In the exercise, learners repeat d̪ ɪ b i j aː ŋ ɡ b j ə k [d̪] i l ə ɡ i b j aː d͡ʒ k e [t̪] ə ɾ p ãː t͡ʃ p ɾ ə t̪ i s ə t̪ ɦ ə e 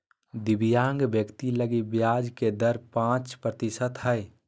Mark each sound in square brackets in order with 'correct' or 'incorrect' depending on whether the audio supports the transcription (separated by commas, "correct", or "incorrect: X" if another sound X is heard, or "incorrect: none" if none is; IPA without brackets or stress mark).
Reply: incorrect: t̪, incorrect: d̪